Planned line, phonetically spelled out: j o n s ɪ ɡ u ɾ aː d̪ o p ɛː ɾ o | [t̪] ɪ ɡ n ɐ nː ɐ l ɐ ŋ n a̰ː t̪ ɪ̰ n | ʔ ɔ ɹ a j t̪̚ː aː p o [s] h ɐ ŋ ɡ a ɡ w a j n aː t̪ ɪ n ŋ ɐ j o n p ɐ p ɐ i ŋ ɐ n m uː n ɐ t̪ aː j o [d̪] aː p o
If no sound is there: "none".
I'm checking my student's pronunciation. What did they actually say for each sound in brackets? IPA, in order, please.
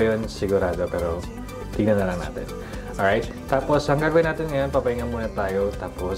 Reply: t̪, s, t̪

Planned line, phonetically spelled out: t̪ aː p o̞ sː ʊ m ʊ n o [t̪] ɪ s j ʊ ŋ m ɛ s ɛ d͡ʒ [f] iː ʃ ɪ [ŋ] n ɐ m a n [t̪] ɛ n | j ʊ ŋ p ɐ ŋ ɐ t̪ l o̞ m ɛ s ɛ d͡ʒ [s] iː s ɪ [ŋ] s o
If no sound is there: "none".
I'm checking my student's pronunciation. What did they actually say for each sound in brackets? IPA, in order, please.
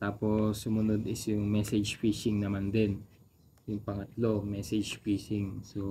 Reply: d̪, f, ŋ, d̪, f, ŋ

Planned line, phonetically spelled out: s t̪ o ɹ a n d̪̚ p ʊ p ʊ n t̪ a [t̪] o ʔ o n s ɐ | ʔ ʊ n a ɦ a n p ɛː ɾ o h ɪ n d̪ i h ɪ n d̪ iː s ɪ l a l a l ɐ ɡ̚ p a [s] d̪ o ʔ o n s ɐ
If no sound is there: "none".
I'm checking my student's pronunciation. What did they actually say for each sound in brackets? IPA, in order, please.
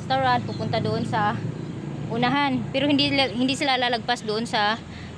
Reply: d̪, s

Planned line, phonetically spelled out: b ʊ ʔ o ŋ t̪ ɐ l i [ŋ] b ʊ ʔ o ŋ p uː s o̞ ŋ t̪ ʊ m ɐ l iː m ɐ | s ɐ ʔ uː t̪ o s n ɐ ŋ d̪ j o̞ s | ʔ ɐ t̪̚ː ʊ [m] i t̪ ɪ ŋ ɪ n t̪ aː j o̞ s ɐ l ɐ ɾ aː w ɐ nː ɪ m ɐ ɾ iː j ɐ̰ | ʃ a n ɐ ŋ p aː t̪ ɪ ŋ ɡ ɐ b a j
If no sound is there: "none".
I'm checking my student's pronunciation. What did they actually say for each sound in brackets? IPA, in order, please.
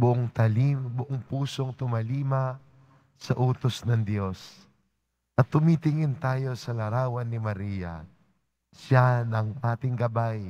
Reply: m, m

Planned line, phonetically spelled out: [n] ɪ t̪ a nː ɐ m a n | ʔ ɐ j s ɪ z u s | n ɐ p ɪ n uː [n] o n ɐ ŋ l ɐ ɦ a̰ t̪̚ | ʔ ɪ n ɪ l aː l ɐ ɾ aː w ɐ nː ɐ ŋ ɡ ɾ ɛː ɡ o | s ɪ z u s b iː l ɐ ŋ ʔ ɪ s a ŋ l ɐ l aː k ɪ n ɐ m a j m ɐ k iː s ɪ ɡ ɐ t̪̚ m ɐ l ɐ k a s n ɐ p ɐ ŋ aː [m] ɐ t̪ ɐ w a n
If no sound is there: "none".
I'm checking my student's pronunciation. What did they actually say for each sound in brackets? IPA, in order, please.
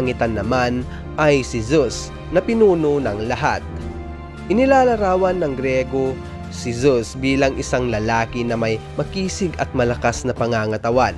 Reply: ŋ, n, ŋ

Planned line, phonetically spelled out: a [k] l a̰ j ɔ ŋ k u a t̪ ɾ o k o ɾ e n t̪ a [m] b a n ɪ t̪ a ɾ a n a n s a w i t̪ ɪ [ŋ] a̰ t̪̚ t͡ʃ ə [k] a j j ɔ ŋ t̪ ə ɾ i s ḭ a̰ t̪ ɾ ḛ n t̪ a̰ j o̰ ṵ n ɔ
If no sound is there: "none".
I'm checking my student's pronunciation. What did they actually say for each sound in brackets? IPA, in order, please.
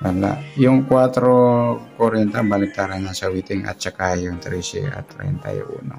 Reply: none, m, ŋ, k

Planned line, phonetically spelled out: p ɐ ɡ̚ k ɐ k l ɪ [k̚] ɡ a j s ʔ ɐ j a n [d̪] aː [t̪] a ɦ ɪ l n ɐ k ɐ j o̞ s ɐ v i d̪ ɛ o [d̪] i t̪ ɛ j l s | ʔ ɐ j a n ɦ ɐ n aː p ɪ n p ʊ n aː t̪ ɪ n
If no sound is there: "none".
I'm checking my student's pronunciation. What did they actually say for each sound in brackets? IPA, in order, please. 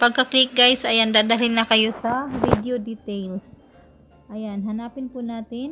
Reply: k̚, d̪, d̪, d̪

